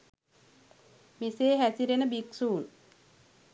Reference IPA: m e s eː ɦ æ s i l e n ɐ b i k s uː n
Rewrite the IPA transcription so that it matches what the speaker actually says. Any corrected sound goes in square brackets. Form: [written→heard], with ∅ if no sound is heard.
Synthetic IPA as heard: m [e→i] s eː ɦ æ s i [l→ɾ] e n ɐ b i k s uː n